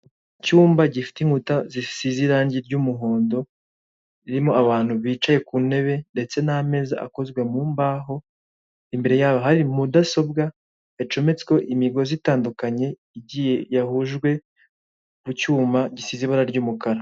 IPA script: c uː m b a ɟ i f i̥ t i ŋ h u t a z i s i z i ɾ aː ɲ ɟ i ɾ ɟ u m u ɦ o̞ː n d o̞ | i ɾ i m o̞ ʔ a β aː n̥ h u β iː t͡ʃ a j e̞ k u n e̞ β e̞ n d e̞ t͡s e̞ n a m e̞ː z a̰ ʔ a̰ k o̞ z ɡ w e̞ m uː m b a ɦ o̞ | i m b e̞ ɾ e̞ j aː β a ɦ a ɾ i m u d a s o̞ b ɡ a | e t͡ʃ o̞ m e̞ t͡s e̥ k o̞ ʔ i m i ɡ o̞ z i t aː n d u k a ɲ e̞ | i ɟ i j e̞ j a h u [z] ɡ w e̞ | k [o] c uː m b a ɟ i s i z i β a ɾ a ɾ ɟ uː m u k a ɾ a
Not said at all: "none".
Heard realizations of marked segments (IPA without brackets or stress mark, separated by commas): ʒ, u